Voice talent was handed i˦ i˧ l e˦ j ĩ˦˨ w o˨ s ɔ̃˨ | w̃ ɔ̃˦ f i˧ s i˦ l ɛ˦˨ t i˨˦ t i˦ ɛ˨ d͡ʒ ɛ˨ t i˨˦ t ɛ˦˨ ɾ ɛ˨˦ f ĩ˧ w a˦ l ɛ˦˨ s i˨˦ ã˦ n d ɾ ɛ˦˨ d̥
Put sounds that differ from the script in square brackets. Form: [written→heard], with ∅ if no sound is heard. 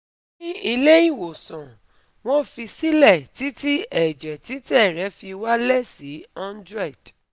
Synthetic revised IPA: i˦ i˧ l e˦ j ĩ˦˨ w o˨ s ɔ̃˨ | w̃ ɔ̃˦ f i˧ s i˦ l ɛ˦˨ t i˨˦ t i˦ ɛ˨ d͡ʒ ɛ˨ t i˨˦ t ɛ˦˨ ɾ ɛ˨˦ f [ĩ˧→i˧] w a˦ l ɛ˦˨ s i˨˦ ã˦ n d ɾ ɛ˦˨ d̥